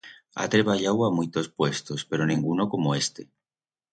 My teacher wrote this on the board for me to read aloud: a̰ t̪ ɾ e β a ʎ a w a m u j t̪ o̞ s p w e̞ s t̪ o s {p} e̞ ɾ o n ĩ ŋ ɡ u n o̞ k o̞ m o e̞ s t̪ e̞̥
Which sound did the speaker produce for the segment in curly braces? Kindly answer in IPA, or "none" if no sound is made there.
p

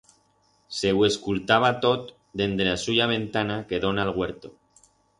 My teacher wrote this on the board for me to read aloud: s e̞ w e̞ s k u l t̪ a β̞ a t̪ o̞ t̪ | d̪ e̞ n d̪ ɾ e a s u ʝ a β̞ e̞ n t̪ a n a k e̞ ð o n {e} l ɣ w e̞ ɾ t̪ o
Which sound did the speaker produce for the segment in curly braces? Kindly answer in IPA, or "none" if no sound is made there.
a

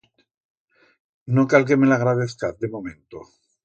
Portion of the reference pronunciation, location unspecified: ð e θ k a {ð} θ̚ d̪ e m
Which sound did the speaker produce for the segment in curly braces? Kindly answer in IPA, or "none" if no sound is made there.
none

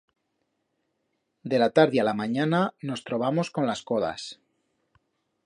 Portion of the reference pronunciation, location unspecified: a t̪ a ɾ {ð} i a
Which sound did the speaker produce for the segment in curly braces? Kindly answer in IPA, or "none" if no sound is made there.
ð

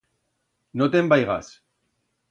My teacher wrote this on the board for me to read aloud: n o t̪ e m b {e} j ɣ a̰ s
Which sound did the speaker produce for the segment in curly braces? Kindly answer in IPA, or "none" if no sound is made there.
a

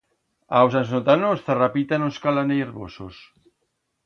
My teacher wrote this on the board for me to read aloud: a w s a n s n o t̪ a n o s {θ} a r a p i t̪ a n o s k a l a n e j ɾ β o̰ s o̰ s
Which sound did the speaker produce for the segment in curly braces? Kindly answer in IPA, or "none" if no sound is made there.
θ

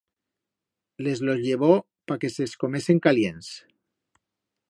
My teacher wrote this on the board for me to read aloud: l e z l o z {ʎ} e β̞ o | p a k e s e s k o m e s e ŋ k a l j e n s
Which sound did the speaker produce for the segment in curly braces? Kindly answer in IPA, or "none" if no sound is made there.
ʎ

